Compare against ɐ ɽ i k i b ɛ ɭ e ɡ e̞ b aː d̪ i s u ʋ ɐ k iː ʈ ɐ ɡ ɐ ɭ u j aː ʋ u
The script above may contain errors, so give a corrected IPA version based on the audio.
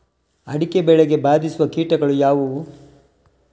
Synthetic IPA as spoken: ɐ ɽ i k e b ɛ ɭ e ɡ e̞ b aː d̪ i s u ʋ ɐ k iː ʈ ɐ ɡ ɐ ɭ u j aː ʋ u